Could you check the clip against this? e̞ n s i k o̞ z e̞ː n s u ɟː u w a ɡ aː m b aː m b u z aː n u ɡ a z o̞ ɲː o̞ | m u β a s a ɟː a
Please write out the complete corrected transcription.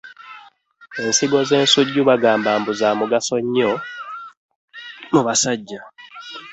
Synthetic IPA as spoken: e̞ n s i ɡ o̞ z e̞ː n s u ɟː u β a ɡ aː m b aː m b u z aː m u ɡ a s o̞ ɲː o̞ | m u β a s a ɟː a